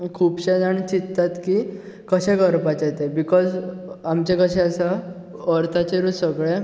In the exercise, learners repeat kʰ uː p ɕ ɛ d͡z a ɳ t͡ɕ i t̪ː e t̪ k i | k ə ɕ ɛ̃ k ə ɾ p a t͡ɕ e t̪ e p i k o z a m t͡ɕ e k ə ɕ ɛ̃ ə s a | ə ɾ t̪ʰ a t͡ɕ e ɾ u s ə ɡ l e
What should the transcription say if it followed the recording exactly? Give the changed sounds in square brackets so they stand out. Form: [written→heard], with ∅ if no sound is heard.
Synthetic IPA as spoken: kʰ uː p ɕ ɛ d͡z a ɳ t͡ɕ i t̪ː [e→a] t̪ k i | k ə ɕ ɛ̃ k ə ɾ p a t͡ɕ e t̪ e [p→b] i k [o→ɔ] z a m t͡ɕ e k ə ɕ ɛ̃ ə s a | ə ɾ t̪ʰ a t͡ɕ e ɾ u s ə ɡ [l→ɭ] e